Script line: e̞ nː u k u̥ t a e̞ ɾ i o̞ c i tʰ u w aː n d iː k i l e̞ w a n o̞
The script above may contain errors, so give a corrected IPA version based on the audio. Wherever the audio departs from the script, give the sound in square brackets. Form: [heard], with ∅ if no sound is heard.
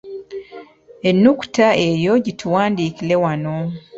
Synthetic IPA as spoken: e̞ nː u k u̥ t a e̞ ɾ [j] o̞ [ɟ] i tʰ u w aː n d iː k i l e̞ w a n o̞